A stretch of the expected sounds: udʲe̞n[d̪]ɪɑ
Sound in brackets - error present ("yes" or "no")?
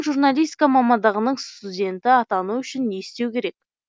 yes